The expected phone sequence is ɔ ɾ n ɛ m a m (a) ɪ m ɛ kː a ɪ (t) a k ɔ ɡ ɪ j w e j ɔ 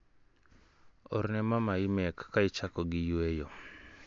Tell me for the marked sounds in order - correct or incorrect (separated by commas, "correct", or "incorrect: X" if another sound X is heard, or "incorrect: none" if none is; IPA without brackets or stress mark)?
correct, incorrect: t͡ʃ